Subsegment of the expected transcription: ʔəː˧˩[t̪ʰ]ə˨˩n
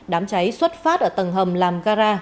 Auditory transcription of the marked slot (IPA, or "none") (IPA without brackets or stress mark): t̪